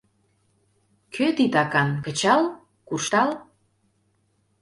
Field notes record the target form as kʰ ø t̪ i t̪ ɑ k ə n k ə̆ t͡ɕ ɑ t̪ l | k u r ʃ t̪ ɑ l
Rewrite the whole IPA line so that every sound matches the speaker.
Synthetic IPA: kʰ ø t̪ i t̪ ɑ k ɑ n k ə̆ t͡ɕ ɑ l | k u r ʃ t̪ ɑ l